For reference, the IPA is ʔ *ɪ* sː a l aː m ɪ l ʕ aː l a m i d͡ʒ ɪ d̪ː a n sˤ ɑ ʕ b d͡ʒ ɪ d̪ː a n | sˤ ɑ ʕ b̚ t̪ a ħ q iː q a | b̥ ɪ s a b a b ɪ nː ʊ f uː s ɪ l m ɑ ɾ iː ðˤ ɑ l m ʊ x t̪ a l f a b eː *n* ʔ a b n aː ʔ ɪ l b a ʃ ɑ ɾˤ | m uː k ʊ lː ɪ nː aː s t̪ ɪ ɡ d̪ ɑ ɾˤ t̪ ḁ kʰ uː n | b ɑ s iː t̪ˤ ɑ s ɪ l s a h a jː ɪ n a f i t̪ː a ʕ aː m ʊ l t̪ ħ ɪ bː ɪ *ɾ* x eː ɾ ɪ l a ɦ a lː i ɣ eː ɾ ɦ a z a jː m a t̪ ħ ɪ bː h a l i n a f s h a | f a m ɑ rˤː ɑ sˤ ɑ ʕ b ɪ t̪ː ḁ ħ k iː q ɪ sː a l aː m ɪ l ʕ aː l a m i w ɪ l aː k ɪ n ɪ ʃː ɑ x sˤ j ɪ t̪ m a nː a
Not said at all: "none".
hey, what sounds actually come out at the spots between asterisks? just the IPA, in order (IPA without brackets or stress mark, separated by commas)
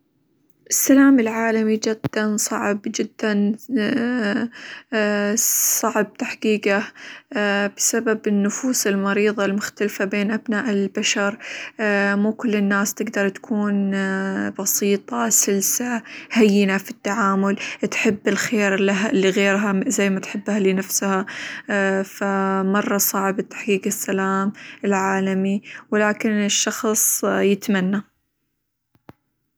ɪ, n, l